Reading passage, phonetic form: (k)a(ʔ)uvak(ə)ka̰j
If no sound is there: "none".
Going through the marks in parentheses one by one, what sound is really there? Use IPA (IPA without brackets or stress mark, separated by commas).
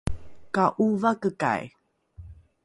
k, ʔ, ə